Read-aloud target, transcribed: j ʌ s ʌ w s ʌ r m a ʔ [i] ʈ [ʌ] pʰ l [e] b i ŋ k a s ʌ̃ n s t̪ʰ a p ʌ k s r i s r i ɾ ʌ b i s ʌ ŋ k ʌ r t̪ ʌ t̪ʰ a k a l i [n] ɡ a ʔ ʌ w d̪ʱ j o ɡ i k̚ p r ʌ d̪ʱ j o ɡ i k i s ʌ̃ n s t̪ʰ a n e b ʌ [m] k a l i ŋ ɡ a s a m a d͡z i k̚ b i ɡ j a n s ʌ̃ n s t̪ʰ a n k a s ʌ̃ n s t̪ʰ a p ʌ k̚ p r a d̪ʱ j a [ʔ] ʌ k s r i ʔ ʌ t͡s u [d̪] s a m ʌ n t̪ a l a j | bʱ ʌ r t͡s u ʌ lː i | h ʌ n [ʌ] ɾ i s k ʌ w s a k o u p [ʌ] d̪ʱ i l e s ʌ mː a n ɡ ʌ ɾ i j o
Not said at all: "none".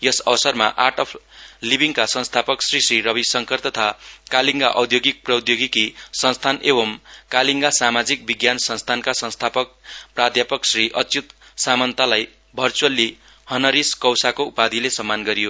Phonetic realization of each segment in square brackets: a, ʌ, i, ŋ, m, p, t̪, ʌ, a

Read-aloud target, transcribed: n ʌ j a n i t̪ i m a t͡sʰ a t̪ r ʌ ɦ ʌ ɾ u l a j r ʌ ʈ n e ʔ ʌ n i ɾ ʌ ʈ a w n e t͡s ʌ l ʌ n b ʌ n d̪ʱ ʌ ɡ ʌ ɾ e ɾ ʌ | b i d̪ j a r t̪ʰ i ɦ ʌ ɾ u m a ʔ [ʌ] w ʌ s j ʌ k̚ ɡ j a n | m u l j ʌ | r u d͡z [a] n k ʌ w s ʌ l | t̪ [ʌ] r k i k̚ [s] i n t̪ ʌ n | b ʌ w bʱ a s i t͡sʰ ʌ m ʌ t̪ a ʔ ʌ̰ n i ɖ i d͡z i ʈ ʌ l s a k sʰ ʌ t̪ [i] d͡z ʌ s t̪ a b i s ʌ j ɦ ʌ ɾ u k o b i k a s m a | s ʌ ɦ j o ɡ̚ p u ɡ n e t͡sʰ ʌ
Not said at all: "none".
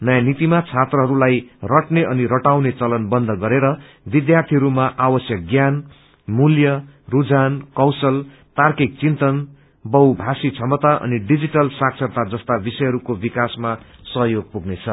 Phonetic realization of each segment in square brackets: a, a, a, t͡s, a

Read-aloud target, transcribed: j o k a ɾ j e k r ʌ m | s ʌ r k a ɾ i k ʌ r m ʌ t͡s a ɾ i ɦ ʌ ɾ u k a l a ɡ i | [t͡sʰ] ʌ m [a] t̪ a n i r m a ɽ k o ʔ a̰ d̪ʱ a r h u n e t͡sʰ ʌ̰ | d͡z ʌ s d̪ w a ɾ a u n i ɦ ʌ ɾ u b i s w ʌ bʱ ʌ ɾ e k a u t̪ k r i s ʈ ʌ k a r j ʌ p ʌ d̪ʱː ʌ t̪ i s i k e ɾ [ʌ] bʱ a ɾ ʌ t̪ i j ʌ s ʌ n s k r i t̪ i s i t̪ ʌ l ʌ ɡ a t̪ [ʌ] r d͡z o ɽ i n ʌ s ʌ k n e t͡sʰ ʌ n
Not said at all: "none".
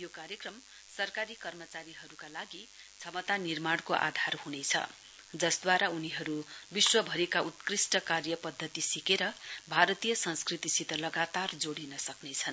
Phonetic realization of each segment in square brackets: t͡sʰ, ʌ, ʌ, a

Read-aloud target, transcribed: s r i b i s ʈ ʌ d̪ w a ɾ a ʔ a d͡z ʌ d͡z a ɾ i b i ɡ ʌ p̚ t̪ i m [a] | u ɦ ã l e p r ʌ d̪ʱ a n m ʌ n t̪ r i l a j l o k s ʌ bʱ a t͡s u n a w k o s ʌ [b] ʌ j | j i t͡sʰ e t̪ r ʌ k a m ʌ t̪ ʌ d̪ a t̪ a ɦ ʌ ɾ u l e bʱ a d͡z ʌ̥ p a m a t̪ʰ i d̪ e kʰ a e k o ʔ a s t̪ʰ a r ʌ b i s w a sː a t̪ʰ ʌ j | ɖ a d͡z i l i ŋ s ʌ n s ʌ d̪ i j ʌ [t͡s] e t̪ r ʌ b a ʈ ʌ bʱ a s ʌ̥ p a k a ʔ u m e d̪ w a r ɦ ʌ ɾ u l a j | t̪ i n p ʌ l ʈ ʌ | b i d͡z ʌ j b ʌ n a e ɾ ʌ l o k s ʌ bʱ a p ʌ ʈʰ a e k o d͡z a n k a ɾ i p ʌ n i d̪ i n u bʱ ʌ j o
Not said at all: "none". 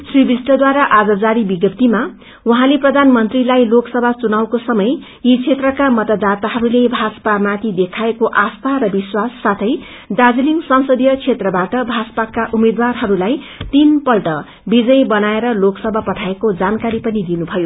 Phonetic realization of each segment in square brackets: a, m, t͡sʰ

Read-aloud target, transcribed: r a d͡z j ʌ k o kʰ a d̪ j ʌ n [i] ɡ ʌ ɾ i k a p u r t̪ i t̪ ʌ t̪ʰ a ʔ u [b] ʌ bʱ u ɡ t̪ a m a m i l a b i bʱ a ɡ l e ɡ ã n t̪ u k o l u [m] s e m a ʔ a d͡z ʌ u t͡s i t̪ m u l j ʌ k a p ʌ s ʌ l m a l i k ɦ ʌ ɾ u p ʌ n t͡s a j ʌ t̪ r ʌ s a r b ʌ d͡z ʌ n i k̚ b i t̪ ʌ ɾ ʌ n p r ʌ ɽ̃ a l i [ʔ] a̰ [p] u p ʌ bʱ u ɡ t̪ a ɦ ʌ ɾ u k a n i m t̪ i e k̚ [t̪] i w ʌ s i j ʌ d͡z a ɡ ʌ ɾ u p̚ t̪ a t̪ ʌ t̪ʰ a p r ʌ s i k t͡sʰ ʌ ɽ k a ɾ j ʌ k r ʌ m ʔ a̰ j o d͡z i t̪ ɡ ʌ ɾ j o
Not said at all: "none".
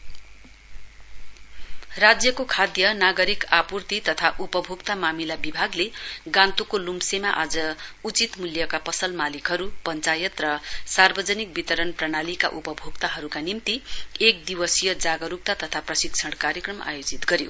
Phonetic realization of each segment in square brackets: a, p, m, k, ʔ, d̪

